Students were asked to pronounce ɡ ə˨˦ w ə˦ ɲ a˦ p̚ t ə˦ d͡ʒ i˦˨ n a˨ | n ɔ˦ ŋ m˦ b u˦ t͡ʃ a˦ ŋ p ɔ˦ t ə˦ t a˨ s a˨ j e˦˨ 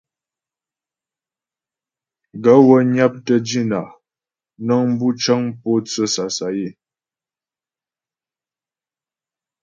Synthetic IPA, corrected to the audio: ɡ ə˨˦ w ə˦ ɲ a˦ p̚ t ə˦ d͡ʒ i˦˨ n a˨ | n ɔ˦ ŋ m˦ b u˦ t͡ʃ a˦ ŋ p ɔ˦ t͡s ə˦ s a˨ s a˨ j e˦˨